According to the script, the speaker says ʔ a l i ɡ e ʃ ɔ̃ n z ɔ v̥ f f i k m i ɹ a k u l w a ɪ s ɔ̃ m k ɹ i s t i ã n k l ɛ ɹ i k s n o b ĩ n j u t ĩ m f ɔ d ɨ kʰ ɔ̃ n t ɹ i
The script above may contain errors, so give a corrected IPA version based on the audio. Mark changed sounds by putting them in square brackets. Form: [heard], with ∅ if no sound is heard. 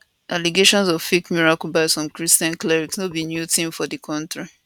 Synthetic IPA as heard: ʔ a l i ɡ e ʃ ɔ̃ n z ɔ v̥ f f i k m i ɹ a k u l [b] a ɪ s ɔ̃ m k ɹ i s t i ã n k l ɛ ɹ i k s n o b [i] n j u t ĩ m f ɔ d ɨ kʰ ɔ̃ n t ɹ i